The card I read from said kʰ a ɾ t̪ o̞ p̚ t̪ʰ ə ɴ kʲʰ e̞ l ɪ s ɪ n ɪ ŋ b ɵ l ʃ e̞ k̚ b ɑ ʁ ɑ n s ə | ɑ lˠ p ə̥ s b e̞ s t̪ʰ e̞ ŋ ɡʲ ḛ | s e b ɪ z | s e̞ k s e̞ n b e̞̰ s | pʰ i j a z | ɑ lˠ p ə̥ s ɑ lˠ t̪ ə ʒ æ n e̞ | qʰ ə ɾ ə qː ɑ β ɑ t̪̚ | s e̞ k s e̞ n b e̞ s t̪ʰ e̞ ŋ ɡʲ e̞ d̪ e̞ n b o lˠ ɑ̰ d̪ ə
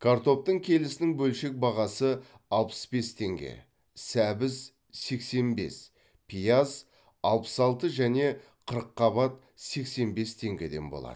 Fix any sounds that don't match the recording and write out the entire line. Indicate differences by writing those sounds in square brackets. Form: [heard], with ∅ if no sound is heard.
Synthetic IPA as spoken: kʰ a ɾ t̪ o̞ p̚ [t̪] ə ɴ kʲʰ e̞ l ɪ s ɪ n ɪ ŋ b ɵ l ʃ e̞ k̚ b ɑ ʁ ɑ [∅] s ə | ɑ lˠ p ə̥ s b e̞ s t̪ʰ e̞ ŋ ɡʲ ḛ | s [æ] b ɪ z | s e̞ k s e̞ n b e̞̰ s | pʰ i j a z | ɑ lˠ p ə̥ s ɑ lˠ t̪ ə ʒ æ n e̞ | qʰ ə ɾ ə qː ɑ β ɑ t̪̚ | s e̞ k s e̞ n b e̞ s t̪ʰ e̞ ŋ ɡʲ e̞ d̪ e̞ n b o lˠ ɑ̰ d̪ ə